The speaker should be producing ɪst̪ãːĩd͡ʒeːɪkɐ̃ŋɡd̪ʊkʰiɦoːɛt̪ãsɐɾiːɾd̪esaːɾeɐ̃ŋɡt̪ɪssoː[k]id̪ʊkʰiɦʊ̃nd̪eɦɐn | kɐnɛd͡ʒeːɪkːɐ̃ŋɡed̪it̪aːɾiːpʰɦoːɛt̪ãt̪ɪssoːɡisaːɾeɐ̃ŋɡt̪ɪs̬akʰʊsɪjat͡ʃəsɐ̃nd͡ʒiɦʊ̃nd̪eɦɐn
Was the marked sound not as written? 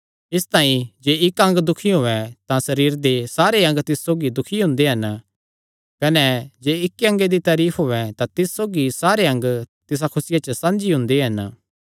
yes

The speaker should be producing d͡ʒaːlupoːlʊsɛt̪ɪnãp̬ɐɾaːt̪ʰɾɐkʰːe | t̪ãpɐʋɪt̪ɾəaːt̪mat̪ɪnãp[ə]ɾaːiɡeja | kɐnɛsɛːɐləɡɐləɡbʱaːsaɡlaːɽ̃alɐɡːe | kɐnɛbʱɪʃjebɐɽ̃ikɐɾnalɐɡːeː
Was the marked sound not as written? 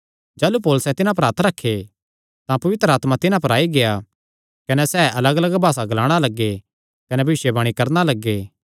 yes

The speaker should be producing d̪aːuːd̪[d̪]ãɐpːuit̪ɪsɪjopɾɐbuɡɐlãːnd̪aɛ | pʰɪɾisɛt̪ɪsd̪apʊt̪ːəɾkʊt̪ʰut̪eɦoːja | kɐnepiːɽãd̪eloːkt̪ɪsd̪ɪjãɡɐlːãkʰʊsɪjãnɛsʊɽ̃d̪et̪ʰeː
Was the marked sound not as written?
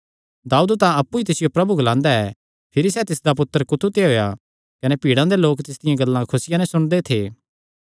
yes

